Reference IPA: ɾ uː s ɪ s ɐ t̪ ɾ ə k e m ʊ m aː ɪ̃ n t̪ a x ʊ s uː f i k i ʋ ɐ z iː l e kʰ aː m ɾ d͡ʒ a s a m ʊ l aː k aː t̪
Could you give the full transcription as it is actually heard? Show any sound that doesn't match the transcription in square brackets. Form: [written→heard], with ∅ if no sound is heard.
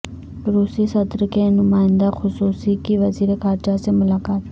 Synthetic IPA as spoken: ɾ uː s [ɪ→i] s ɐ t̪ ɾ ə k e [m→n] ʊ m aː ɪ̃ n [t̪→d̪] a x ʊ s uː [f→s] i k i ʋ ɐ z iː [l→ɾ] e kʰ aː [m→∅] ɾ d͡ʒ a s [a→e] m ʊ l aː k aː t̪